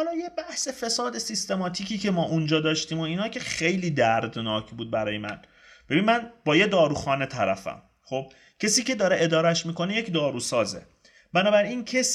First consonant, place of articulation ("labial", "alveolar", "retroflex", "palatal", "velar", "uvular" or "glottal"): glottal